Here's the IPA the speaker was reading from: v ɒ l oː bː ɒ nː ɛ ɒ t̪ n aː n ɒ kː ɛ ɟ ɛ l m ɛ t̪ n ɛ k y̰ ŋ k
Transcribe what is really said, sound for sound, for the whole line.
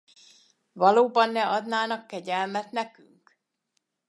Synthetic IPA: v ɒ l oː b ɒ nː ɛ ɒ d̪ n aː n ɒ kː ɛ ɟ ɛ l m ɛ t̪ n ɛ k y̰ ŋ k